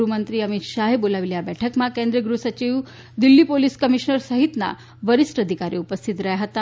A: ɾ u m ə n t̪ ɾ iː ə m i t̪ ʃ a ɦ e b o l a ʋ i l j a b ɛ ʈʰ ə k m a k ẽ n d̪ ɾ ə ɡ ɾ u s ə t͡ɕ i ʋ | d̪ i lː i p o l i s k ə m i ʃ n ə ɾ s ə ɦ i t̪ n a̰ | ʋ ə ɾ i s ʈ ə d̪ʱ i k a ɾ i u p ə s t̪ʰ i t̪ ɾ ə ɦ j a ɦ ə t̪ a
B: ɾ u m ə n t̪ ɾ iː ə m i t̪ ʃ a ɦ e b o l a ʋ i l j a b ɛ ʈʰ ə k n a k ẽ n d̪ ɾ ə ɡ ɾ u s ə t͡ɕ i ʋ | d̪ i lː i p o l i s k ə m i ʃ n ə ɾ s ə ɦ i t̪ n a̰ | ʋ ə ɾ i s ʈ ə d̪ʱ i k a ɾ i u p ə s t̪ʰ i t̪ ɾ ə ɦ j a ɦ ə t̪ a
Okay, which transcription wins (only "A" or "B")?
A